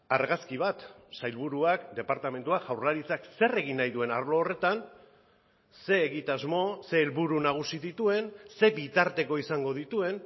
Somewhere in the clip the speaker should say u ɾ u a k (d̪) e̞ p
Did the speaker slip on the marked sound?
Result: no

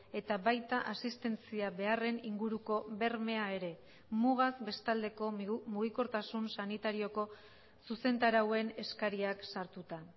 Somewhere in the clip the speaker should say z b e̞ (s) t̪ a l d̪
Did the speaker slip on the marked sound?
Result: no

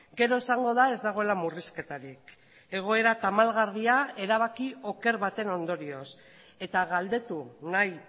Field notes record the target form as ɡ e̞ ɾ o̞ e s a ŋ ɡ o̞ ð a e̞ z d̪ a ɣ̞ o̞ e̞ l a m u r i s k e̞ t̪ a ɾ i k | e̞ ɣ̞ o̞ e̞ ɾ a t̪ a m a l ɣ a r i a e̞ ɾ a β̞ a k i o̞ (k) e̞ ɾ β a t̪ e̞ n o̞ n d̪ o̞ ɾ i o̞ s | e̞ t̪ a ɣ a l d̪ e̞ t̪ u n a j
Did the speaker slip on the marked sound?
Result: no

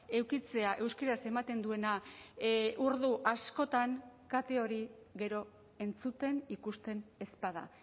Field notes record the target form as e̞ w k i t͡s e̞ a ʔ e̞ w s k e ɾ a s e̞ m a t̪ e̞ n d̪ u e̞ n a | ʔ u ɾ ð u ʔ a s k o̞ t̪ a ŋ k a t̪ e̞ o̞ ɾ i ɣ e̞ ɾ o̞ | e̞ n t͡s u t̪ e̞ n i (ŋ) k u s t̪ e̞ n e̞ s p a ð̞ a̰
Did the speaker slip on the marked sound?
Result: yes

